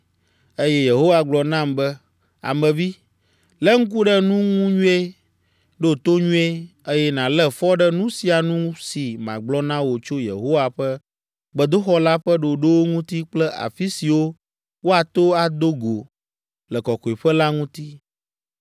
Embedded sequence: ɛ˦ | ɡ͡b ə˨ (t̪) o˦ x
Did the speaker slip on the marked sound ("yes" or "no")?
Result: yes